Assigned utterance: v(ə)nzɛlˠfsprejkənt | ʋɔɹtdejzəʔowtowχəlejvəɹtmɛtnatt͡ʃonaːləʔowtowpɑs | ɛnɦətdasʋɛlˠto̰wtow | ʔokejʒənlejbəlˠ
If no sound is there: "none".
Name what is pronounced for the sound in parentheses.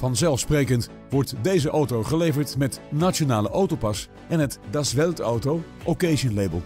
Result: ɑ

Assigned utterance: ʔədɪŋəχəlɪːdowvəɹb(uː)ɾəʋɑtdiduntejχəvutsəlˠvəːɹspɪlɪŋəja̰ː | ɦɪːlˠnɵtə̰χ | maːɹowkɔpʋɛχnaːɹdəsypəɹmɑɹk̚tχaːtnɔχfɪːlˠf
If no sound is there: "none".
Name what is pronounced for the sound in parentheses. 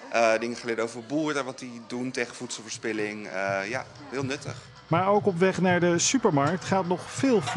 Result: uː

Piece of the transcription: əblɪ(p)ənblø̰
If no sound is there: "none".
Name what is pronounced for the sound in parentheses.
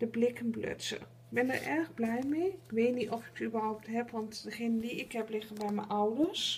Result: k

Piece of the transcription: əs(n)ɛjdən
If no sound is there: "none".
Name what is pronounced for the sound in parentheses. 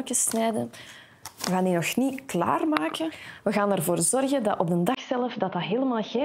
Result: n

